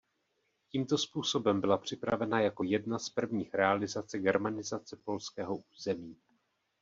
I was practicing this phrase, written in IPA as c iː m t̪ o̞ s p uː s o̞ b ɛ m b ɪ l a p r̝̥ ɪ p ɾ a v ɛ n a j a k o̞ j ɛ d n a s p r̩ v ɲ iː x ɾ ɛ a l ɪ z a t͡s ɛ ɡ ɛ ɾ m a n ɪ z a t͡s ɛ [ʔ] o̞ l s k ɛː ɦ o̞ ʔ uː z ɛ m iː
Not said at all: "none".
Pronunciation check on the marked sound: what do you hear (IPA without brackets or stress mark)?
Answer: p